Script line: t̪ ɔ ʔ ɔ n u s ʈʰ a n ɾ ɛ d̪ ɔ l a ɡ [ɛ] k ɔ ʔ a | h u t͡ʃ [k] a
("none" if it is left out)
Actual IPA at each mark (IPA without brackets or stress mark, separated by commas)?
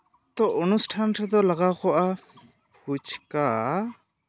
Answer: a, k